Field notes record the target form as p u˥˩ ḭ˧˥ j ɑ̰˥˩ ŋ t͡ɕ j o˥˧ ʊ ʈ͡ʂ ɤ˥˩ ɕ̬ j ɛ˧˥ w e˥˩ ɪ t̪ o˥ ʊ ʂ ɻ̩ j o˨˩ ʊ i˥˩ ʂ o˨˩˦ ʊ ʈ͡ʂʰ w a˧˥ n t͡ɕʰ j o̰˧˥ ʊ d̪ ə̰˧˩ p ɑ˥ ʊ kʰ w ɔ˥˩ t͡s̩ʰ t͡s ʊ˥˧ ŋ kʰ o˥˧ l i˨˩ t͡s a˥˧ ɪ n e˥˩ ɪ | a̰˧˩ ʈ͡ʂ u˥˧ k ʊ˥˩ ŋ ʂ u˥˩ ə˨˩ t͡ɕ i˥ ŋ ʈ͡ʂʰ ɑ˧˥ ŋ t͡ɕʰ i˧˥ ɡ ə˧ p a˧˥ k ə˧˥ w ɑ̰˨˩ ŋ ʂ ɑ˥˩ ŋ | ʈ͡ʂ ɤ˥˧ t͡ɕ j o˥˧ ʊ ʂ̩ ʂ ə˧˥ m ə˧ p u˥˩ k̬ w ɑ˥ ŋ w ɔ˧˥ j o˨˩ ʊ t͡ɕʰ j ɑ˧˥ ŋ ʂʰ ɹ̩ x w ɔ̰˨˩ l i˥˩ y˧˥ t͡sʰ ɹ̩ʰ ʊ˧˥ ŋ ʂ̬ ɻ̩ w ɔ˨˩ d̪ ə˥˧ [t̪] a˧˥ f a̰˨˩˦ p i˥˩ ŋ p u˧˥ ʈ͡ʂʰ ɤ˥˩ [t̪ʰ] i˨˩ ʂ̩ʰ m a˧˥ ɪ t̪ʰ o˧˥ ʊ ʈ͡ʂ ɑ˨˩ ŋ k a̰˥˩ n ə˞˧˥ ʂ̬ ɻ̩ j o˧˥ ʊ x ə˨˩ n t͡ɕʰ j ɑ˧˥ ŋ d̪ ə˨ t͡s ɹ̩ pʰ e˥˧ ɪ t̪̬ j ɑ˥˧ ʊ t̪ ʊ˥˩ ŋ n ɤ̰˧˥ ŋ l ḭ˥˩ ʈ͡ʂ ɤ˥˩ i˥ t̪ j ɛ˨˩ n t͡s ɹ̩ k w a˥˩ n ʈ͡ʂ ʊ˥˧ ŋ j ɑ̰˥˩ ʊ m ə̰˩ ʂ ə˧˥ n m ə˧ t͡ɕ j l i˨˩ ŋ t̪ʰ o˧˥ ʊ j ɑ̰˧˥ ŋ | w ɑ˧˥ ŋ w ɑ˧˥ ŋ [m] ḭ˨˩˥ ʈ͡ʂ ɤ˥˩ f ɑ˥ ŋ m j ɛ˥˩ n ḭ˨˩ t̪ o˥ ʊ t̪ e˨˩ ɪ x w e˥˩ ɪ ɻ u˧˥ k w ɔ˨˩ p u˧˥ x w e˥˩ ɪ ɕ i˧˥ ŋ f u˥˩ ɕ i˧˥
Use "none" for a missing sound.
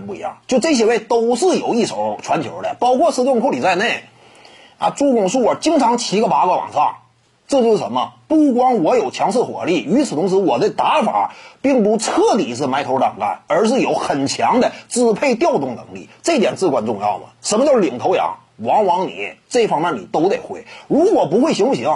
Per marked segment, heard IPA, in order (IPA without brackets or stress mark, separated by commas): t̪, t̪, n